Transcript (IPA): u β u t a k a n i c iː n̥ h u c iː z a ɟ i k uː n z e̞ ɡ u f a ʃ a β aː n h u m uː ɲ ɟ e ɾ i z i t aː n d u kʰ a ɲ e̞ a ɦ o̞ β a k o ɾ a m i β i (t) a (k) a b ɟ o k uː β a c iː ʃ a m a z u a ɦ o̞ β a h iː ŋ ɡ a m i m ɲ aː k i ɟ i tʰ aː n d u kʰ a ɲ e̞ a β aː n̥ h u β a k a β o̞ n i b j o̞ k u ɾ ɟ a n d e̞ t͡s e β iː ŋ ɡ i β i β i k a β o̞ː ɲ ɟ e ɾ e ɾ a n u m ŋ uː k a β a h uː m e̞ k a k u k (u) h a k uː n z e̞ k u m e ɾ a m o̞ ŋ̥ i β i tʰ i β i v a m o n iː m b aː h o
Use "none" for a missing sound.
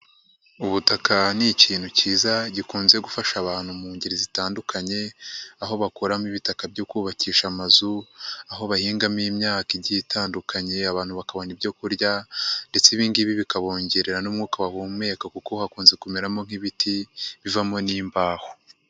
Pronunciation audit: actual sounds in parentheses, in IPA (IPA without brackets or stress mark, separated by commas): t, k, o